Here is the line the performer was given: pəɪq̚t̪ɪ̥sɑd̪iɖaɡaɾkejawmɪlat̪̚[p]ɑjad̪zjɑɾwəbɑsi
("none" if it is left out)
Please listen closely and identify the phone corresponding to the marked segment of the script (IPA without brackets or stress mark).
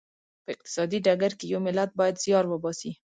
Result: b